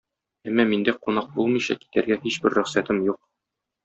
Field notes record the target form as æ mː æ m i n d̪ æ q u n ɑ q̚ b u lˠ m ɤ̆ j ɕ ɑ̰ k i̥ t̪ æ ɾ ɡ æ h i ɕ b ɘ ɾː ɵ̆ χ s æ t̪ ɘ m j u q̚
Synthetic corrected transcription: æ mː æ m i n d̪ æ q u n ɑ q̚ b u lˠ m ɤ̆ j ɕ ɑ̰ k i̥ t̪ æ ɾ ɡ æ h i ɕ b ɘ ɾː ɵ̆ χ s æ t̪ ɘ m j u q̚